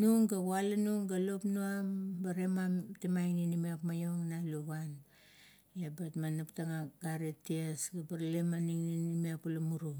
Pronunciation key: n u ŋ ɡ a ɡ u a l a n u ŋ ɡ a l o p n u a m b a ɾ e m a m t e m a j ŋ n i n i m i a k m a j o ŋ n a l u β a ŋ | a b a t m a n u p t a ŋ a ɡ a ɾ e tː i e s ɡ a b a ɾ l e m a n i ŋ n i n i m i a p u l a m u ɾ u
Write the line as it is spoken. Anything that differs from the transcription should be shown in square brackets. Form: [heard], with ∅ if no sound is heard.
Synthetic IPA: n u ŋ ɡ a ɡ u a l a n u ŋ ɡ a l o p n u a m b a ɾ e m a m t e m a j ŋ n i n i m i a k m a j o ŋ n a l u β a [n] | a b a t m a n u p t a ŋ a ɡ a ɾ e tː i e s ɡ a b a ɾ l e m a n i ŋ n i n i m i a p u l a m u ɾ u